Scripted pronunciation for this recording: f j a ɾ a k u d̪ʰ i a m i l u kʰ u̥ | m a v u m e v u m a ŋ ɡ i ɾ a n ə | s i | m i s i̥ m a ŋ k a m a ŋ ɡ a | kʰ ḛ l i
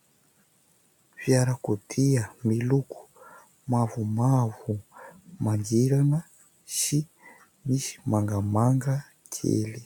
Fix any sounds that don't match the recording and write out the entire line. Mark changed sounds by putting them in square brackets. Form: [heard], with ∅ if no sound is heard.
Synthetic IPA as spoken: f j a ɾ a k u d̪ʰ i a m i l u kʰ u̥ | m a v u m [a] v u m a ŋ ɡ i ɾ a n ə | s i | m i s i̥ m a ŋ [ɡ] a m a ŋ ɡ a | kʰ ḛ l i